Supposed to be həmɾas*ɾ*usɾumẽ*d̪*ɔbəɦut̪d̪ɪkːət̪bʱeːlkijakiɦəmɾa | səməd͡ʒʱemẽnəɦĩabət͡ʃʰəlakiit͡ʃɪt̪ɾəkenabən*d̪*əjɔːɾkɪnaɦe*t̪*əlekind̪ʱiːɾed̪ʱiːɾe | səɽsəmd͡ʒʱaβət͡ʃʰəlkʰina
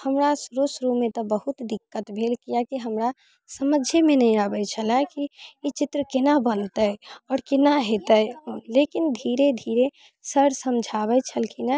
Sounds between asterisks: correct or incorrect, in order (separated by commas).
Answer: correct, incorrect, incorrect, correct